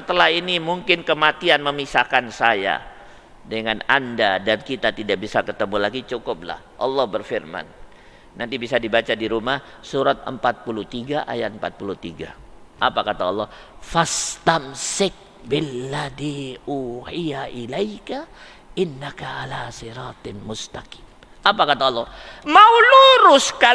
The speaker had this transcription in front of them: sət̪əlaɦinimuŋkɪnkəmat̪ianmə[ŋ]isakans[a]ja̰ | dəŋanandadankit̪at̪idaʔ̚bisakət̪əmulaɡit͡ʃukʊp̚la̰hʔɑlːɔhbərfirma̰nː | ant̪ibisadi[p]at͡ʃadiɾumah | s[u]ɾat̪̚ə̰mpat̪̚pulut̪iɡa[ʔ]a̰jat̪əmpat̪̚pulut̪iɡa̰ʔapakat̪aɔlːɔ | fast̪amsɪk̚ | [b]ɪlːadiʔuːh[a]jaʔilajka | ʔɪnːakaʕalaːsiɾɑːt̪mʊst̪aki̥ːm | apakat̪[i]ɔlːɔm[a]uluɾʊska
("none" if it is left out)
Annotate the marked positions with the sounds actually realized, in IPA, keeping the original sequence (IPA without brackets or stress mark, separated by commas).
m, a, b, u, ʔ, b, i, a, a